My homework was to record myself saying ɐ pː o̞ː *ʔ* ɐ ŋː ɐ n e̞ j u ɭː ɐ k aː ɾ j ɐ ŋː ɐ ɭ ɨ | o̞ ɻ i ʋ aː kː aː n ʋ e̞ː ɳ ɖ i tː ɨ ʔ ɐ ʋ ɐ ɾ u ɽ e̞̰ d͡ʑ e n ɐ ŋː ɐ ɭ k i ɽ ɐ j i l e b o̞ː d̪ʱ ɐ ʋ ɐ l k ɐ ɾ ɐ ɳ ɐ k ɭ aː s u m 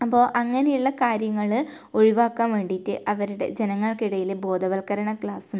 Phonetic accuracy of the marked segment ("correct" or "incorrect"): correct